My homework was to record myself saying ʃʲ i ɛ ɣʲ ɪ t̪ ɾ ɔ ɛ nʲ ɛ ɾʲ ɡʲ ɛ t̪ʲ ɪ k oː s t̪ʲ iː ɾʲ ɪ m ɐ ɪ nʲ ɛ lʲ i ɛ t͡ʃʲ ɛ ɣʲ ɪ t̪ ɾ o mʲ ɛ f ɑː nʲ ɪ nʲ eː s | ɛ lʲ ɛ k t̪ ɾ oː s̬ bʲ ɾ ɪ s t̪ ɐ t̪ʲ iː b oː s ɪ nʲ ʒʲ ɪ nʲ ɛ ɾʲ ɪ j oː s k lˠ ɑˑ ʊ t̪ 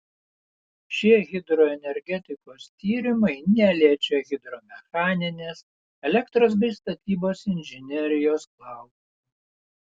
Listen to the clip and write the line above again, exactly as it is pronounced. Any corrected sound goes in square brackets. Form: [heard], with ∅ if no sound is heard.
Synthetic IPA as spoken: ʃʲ i ɛ ɣʲ ɪ [d̪] ɾ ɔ ɛ nʲ ɛ ɾʲ ɡʲ ɛ t̪ʲ ɪ k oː s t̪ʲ iː ɾʲ ɪ m ɐ ɪ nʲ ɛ lʲ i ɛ t͡ʃʲ ɛ ɣʲ ɪ [d̪] ɾ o mʲ ɛ [x] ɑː nʲ ɪ nʲ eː s | ɛ lʲ ɛ k t̪ ɾ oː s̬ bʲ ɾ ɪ s t̪ ɐ t̪ʲ iː b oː s ɪ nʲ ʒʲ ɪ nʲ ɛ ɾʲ ɪ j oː s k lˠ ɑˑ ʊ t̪